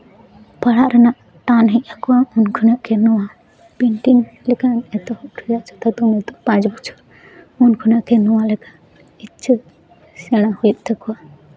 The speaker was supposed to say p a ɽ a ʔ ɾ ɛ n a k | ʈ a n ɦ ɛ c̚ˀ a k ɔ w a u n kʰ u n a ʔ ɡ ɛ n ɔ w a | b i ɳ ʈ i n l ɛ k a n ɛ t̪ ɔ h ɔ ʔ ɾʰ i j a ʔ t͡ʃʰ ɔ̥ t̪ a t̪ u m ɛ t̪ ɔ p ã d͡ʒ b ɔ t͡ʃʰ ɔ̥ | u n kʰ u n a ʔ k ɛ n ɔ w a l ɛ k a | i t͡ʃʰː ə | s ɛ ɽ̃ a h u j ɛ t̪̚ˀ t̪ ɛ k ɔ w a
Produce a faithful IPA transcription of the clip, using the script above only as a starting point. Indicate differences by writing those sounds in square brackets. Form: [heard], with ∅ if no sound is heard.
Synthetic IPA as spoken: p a ɽ a ʔ ɾ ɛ n a [ʔ] | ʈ a n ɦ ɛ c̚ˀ a k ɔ w a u n kʰ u n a ʔ [k] ɛ n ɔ w a | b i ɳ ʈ i n l ɛ k a n ɛ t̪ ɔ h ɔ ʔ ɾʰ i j a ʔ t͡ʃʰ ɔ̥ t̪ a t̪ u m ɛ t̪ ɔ p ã d͡ʒ b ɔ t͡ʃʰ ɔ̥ | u n kʰ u n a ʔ k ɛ n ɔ w a l ɛ k a | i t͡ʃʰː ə | s ɛ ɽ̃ a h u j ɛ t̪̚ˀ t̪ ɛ k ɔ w a

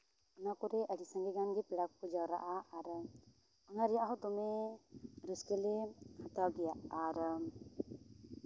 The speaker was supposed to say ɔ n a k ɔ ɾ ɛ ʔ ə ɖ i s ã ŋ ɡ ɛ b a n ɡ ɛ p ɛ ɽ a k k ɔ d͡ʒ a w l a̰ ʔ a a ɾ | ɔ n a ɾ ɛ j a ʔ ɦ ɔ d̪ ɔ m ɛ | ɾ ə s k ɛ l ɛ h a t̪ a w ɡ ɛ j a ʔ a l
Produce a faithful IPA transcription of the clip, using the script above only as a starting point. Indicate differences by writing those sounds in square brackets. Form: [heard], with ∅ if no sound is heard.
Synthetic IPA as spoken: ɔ n a k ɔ ɾ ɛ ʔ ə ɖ i s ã ŋ ɡ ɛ [ɡ] a n ɡ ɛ p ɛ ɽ a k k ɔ d͡ʒ a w [ɾ] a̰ ʔ a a ɾ | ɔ n a ɾ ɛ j a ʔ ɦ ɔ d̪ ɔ m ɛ | ɾ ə s k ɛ l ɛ h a t̪ a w ɡ ɛ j a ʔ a [ɾ]

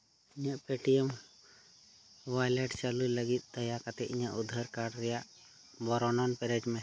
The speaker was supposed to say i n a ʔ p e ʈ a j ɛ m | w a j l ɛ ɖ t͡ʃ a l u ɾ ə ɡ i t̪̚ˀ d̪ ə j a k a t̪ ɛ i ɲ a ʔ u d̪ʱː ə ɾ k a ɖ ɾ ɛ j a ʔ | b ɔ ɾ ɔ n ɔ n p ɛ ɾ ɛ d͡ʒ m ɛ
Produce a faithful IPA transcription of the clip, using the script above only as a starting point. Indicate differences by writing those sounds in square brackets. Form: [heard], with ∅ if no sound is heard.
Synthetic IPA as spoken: i [ɲ] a ʔ p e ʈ [i] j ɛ m | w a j l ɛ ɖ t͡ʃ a l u [l] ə ɡ i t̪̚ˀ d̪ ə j a k a t̪ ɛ i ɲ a ʔ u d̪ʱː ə ɾ k a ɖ ɾ ɛ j a ʔ | b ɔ ɾ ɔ n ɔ n p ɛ ɾ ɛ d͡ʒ m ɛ

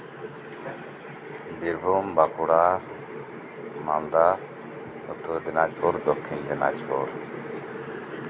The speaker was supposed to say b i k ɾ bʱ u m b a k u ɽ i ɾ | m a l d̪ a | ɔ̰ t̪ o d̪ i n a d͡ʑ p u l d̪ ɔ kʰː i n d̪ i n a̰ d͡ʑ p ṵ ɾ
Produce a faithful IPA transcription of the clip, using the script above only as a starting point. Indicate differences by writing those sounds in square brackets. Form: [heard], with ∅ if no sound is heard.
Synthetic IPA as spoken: b i [∅] ɾ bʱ u m b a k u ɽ [a] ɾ | m a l d̪ a | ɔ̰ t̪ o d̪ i n a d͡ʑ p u [ɾ] d̪ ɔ kʰː i n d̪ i n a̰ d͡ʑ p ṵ ɾ

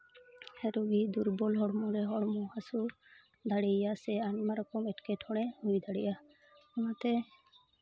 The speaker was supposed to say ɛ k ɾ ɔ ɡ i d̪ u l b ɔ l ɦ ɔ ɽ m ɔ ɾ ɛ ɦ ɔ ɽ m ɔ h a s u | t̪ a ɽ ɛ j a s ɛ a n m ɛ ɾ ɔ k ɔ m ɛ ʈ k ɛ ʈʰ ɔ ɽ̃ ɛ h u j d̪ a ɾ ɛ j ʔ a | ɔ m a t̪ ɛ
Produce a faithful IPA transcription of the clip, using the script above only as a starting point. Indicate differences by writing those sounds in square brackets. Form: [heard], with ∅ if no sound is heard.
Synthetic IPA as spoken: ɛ [∅] ɾ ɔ ɡ i d̪ u [ɾ] b ɔ l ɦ ɔ ɽ m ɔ ɾ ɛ ɦ ɔ ɽ m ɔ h a s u | [d̪] a ɽ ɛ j a s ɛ a n m [a] ɾ ɔ k ɔ m ɛ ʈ k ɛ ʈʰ ɔ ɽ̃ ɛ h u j d̪ a [ɽ] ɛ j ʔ a | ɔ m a t̪ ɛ

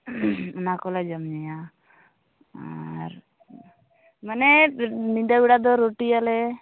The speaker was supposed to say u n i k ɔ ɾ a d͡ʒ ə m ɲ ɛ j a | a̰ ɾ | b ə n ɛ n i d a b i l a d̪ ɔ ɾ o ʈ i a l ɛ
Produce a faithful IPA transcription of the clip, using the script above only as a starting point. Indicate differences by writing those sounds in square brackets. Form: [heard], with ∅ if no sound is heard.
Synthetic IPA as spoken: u n [a] k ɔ [l] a d͡ʒ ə m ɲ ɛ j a | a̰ ɾ | [m] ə n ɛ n i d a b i [ɽ] a d̪ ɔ ɾ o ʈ i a l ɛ

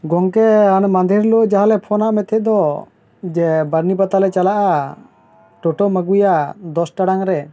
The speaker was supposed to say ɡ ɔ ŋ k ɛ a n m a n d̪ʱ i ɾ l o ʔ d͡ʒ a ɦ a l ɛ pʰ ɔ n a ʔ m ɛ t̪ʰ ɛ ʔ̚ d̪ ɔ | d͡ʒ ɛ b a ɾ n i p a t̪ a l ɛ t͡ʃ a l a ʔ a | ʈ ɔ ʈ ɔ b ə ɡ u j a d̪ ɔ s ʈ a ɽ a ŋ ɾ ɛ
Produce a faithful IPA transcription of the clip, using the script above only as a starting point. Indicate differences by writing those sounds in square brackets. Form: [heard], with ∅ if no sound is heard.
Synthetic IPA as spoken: ɡ ɔ ŋ k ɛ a n m a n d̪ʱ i ɾ l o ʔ d͡ʒ a ɦ a l ɛ pʰ ɔ n a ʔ m ɛ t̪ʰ ɛ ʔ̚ d̪ ɔ | d͡ʒ ɛ b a ɾ n i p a t̪ a l ɛ t͡ʃ a l a ʔ a | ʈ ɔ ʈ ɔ [m] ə ɡ u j a d̪ ɔ s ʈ a ɽ a ŋ ɾ ɛ

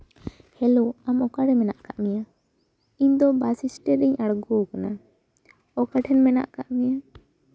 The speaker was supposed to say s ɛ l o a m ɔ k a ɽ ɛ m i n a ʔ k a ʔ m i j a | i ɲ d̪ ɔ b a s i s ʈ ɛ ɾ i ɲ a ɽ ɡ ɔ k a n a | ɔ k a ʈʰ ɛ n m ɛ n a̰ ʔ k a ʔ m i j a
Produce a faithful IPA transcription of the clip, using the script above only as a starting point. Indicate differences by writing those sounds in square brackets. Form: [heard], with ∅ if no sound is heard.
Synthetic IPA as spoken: [h] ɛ l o a m ɔ k a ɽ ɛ m [ɛ] n a ʔ k a ʔ m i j a | i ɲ d̪ ɔ b a s i s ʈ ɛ ɾ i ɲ a ɽ ɡ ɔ k a n a | ɔ k a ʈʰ ɛ n m ɛ n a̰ ʔ k a ʔ m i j a

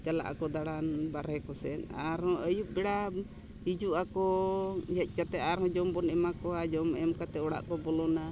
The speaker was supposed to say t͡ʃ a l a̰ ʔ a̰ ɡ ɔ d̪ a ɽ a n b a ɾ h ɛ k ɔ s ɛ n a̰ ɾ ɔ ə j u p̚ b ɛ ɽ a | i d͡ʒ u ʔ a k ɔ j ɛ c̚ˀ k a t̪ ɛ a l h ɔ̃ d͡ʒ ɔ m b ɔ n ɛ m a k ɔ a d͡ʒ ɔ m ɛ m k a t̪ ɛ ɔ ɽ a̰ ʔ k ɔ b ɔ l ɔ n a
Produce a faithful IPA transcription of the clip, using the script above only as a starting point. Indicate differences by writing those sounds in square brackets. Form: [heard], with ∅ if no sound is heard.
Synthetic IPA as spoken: t͡ʃ a l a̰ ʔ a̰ [k] ɔ d̪ a ɽ a n b a ɾ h ɛ k ɔ s ɛ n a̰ ɾ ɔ ə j u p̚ b ɛ ɽ a | i d͡ʒ u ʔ a k ɔ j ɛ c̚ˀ k a t̪ ɛ a [ɾ] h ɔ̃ d͡ʒ ɔ m b ɔ n ɛ m a k ɔ a d͡ʒ ɔ m ɛ m k a t̪ ɛ ɔ ɽ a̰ ʔ k ɔ b ɔ l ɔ n a

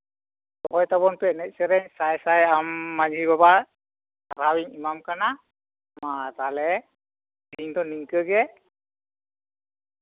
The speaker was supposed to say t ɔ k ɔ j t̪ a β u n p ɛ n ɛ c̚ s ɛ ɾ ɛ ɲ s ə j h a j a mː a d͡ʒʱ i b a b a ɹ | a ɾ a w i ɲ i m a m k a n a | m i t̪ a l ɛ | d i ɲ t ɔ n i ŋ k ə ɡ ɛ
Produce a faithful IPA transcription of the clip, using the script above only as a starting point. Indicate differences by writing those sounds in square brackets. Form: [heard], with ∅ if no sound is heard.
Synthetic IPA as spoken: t ɔ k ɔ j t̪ a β [ɔ] n p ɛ n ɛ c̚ s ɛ ɾ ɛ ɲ s [a] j [s] a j a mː a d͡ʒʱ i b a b a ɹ | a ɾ a w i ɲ i m a m k a n a | m [a] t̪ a l ɛ | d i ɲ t ɔ n i ŋ k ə ɡ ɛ

